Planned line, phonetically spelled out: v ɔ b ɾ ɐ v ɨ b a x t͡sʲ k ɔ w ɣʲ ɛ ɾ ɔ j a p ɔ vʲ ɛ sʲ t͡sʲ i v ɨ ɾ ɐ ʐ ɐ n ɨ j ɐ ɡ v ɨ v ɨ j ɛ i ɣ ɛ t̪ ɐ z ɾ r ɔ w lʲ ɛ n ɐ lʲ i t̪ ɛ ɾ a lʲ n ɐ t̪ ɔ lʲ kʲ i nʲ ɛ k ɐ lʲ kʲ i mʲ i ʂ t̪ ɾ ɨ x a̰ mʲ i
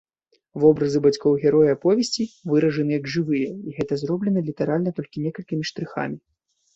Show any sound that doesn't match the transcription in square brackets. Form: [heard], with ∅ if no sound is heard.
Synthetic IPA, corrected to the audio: v ɔ b ɾ ɐ [z] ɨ b a [∅] t͡sʲ k ɔ w ɣʲ ɛ ɾ ɔ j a p ɔ vʲ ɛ sʲ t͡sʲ i v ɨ ɾ ɐ ʐ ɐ n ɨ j ɐ ɡ [ʐ] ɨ v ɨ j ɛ i ɣ ɛ t̪ ɐ z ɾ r ɔ [b] lʲ ɛ n ɐ lʲ i t̪ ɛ ɾ a lʲ n ɐ t̪ ɔ lʲ kʲ i nʲ ɛ k ɐ lʲ kʲ i mʲ i ʂ t̪ ɾ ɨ x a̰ mʲ i